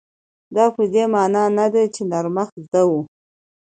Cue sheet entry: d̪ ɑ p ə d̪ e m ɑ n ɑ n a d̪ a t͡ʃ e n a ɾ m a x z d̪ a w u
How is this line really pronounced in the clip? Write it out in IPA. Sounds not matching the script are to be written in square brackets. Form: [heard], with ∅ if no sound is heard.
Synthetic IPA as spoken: d̪ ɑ p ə d̪ e m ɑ n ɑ n a d̪ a t͡ʃ e n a ɾ m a x z d̪ a w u